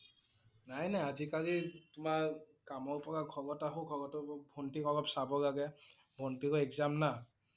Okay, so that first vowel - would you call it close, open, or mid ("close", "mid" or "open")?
open